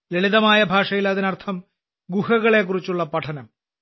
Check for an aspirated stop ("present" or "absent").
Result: present